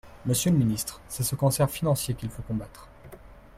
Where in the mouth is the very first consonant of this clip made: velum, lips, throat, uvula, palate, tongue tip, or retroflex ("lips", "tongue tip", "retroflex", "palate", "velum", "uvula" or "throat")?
lips